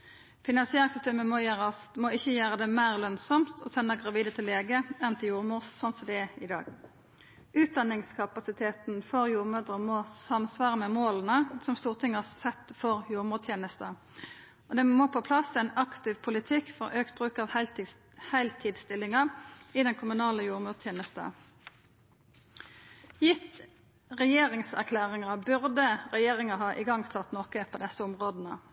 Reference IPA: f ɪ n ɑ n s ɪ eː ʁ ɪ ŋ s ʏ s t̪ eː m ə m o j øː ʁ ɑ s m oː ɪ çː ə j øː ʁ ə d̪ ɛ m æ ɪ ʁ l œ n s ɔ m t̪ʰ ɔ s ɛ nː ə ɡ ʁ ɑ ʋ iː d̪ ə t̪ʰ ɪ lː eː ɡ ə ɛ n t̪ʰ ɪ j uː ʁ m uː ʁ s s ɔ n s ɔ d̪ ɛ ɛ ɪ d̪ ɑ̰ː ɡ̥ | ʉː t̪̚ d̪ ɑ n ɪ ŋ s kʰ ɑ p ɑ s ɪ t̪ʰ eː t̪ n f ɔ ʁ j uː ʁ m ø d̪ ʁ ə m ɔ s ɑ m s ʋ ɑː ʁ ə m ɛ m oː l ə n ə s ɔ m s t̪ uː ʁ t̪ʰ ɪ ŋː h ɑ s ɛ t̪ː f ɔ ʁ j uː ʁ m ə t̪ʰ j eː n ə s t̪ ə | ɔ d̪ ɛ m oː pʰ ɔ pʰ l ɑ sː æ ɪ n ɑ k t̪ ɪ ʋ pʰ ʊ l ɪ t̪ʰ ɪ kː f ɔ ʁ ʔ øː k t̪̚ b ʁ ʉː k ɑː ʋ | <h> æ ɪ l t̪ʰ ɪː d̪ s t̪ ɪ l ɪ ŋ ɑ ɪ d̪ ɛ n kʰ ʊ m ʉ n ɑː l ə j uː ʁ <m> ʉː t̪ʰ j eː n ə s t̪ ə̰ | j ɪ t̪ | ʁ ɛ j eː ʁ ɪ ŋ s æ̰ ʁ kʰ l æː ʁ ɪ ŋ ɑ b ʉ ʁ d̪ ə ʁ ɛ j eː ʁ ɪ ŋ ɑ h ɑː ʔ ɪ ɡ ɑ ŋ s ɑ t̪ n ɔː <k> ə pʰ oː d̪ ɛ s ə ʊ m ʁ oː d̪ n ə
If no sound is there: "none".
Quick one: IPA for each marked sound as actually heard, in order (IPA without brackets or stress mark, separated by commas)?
h, m, k